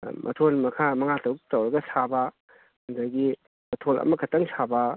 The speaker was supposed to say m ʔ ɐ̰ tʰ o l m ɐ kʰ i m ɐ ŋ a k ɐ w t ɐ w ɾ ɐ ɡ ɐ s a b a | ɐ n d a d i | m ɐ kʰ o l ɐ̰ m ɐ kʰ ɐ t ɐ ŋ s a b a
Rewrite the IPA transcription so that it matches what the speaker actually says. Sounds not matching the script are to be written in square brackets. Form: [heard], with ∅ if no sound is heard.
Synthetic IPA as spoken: m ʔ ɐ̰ tʰ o l m ɐ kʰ [a] m ɐ ŋ a [t] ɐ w t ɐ w ɾ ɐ ɡ ɐ s a b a | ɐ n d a [ɡ] i | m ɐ [tʰ] o l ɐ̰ m ɐ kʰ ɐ t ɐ ŋ s a b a

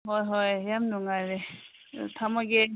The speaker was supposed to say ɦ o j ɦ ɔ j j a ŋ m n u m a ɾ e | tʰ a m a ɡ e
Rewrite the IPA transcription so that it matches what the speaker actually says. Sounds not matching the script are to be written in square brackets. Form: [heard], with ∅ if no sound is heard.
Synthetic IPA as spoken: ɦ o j ɦ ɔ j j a [∅] m n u [ŋ] a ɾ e | tʰ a m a ɡ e

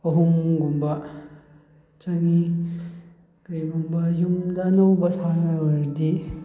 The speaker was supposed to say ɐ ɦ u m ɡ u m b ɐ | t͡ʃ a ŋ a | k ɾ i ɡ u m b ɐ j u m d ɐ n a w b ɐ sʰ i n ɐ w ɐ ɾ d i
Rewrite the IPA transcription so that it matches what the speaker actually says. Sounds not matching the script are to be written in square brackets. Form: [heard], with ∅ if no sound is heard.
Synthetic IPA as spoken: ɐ ɦ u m ɡ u m b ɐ | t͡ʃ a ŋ [i] | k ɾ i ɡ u m b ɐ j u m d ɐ n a w b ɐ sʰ [a] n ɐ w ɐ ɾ d i

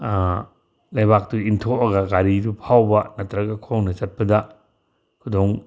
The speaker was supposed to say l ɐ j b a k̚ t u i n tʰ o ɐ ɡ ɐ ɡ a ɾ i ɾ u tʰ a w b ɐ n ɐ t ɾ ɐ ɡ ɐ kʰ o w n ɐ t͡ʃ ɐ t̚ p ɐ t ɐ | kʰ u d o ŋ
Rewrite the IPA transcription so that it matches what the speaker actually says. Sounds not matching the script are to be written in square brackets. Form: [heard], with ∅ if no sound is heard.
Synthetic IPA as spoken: l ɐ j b a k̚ t u i n tʰ o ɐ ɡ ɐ ɡ a ɾ i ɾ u [pʰ] a w b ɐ n ɐ t ɾ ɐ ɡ ɐ kʰ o w n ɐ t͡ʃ ɐ t̚ p ɐ [d] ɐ | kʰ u d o ŋ

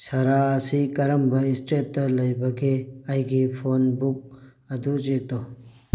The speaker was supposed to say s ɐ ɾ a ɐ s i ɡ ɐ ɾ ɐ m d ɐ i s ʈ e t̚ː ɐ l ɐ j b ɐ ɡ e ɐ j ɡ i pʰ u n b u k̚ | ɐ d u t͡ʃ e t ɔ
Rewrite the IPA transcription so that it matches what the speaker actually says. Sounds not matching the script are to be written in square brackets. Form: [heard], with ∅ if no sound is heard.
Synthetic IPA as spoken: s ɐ ɾ a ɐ s i [k] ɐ ɾ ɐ m [b] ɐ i s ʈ e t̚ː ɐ l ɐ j b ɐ ɡ e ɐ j ɡ i pʰ [o] n b u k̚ | ɐ d u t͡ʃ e t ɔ

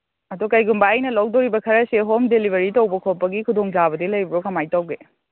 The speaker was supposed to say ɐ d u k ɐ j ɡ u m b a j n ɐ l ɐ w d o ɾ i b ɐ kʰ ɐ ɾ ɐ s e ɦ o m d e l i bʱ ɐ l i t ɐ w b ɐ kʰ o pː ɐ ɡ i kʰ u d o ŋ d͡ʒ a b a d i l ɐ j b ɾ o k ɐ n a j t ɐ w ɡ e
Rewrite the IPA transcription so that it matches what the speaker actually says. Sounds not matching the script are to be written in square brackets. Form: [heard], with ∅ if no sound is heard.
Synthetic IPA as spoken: ɐ d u k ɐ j ɡ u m b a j n ɐ l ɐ w d o ɾ i b ɐ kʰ ɐ ɾ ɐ s e ɦ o m d e l i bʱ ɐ [ɾ] i t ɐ w b ɐ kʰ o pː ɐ ɡ i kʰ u d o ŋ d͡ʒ a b [ɐ] d i l ɐ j b ɾ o k ɐ [m] a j t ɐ w ɡ e

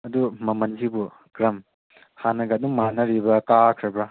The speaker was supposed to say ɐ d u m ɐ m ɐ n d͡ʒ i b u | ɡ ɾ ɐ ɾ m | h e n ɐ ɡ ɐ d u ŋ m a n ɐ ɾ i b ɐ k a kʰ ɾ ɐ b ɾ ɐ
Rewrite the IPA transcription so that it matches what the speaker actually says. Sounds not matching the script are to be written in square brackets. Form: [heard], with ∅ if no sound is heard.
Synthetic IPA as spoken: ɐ d u m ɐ m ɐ n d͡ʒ i b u | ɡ ɾ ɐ [∅] m | h [a] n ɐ ɡ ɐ d u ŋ m a n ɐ ɾ i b ɐ k a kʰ ɾ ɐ b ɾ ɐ

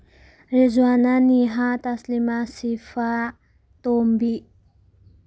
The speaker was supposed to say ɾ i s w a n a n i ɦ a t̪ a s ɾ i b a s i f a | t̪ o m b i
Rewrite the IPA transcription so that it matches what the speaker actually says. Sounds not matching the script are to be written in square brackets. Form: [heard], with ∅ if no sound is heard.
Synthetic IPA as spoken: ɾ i [z] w a n a n i ɦ a t̪ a s [l] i [m] a s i f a | t̪ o m b i

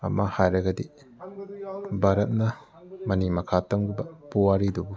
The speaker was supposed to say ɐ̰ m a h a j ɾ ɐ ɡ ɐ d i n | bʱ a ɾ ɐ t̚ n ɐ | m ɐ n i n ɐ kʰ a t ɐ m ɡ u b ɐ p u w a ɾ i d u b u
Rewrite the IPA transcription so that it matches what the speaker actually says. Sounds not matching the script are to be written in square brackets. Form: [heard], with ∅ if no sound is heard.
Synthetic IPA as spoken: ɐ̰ m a h a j ɾ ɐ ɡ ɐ d i [∅] | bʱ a ɾ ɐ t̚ n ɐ | m ɐ n i [m] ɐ kʰ a t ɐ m ɡ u b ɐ p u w a ɾ i d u b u

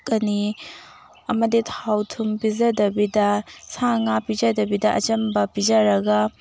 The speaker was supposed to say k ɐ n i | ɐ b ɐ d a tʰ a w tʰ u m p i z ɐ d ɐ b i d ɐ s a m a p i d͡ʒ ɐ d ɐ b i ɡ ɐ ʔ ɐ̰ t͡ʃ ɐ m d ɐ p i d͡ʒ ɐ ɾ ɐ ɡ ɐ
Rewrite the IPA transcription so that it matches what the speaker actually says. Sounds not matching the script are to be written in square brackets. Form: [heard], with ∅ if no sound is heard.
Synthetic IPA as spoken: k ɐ n i | ɐ [m] ɐ d [i] tʰ a w tʰ u m p i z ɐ d ɐ b i d ɐ s a [ŋ] a p i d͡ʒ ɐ d ɐ b i [d] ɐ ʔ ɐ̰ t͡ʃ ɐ m [b] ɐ p i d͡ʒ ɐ ɾ ɐ ɡ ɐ

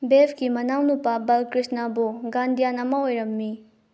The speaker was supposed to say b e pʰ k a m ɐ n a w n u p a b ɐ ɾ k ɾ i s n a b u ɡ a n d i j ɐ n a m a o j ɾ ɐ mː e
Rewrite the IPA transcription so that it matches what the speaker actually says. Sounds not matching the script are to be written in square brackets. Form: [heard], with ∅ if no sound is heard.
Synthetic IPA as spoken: b e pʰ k [i] m ɐ n a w n u p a b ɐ [l] k ɾ i s n a b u ɡ a n d i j [a] n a m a o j ɾ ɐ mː [i]

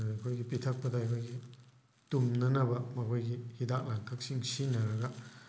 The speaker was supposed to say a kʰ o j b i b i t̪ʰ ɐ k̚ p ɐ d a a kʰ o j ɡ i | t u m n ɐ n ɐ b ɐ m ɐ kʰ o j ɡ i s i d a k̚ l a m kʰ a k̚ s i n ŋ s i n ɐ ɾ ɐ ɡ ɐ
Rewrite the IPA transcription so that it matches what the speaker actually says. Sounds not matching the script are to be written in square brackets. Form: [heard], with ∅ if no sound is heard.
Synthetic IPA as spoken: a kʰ o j [ɡ] i [p] i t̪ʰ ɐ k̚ p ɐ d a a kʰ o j ɡ i | t u m n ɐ n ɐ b ɐ m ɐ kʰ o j ɡ i [h] i d a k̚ l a [ŋ] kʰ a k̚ s i [∅] ŋ s i n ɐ ɾ ɐ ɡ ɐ

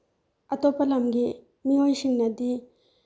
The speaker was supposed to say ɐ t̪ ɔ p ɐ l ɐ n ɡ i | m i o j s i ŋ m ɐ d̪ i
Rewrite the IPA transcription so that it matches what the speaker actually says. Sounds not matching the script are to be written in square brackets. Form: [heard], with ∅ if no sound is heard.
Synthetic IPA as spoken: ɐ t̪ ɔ p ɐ l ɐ [m] ɡ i | m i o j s i ŋ [n] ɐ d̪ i

